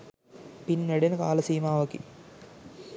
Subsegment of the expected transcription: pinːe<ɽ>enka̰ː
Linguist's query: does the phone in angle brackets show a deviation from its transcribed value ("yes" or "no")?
no